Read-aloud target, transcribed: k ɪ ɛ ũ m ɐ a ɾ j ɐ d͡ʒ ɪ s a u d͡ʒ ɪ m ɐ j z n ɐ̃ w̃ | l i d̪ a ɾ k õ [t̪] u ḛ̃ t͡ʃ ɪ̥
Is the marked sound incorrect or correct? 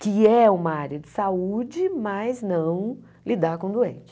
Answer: incorrect